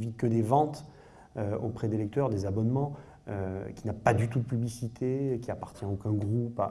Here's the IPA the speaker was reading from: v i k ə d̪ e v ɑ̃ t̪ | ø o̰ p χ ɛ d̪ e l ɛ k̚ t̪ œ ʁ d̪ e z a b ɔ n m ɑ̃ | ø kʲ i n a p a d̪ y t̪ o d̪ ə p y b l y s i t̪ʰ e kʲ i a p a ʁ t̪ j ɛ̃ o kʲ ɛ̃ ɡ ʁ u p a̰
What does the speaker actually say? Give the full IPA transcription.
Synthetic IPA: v i k ə d̪ e v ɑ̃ t̪ | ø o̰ p χ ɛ d̪ e l ɛ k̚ t̪ œ ʁ d̪ e z a b ɔ n m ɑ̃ | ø kʲ i n a p a d̪ y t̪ u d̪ ə p y b l i s i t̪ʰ e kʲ i a p a ʁ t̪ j ɛ̃ o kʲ ɛ̃ ɡ ʁ u p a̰